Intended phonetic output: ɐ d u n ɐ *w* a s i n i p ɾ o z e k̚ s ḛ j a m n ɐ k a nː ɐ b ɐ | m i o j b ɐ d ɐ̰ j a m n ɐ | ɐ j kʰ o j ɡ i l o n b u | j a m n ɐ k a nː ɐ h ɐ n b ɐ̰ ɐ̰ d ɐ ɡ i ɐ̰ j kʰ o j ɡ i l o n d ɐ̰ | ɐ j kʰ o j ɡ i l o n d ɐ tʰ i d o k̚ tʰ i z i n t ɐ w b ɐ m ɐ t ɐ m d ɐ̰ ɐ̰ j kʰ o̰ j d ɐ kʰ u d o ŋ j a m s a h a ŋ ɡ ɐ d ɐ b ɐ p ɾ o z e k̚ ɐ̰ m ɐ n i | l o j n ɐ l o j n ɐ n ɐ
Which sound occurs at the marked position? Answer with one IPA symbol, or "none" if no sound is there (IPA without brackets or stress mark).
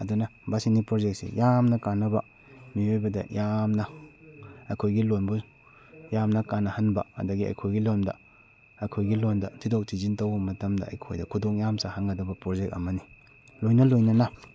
b